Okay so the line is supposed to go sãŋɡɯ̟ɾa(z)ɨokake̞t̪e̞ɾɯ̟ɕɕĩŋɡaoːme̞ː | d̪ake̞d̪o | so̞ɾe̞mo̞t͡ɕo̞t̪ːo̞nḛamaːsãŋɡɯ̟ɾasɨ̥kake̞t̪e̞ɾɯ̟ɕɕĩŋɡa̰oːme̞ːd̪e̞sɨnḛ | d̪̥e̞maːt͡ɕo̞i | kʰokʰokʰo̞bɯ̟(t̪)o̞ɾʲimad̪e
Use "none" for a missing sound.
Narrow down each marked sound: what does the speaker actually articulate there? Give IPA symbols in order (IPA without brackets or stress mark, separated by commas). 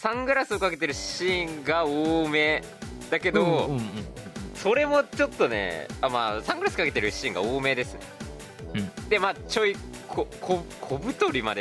s, t̪